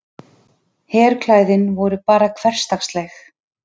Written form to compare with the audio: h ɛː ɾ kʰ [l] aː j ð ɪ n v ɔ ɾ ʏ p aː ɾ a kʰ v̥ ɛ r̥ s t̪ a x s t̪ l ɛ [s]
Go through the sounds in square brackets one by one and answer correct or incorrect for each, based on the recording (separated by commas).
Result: correct, incorrect